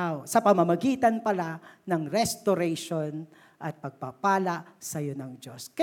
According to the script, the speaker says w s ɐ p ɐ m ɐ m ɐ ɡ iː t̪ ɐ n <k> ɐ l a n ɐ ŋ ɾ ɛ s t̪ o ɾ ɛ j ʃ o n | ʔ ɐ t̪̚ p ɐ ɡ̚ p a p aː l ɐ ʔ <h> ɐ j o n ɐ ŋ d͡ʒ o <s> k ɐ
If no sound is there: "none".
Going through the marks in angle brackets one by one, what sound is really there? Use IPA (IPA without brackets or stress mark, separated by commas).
p, s, s